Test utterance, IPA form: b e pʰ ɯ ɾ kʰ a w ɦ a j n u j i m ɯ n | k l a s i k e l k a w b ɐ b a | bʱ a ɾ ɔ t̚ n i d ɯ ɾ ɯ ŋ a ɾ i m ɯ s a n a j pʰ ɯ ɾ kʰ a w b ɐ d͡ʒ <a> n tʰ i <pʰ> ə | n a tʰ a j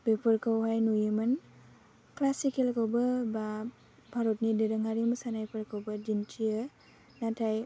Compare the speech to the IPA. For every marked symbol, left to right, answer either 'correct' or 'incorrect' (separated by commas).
incorrect, incorrect